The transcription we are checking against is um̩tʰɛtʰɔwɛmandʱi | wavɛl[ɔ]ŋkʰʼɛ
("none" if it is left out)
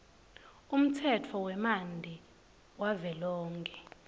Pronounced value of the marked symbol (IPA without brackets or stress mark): ɔː